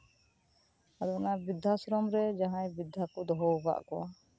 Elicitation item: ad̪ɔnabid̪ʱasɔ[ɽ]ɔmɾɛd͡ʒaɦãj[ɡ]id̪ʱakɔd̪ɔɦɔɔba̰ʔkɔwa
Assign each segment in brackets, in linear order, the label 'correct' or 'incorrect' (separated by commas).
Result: incorrect, incorrect